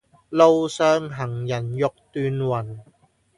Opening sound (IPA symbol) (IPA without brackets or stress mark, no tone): l